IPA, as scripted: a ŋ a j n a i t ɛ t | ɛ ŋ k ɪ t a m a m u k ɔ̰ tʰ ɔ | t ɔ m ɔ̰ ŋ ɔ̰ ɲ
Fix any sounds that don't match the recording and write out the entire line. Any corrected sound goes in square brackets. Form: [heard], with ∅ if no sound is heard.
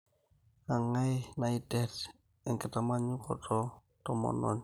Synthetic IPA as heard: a ŋ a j n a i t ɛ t | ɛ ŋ k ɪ t a m a [ɲ] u k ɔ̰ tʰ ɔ | t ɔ m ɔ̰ [n] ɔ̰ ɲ